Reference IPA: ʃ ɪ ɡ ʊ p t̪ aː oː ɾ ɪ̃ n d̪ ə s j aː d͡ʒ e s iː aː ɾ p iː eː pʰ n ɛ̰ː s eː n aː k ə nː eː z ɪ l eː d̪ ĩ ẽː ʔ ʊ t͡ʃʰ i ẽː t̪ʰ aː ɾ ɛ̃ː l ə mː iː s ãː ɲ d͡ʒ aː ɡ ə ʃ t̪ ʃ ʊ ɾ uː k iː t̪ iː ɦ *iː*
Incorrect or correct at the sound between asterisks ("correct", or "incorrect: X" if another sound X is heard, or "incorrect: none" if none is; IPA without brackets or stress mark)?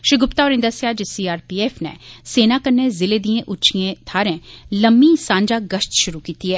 incorrect: ɛː